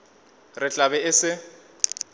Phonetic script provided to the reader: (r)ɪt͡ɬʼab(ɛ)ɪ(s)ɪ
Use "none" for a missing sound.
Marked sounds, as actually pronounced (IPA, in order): r, ɛ, s

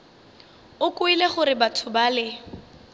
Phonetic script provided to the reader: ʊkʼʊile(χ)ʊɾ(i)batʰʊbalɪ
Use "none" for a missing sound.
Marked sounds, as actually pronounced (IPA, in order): χ, ɪ

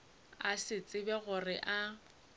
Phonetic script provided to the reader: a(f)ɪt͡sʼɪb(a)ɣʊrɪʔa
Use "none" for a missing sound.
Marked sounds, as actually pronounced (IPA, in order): s, ɛ

